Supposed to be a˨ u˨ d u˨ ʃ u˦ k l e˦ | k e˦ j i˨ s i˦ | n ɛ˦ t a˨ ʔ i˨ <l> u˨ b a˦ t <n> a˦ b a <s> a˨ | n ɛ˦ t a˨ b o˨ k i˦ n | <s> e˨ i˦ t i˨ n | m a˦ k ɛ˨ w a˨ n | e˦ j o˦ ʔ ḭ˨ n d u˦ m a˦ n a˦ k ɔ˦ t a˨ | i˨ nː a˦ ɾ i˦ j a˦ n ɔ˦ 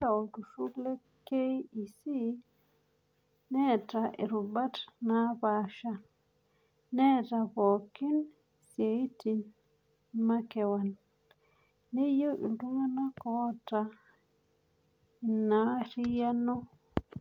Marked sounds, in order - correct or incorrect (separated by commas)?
incorrect, correct, incorrect, correct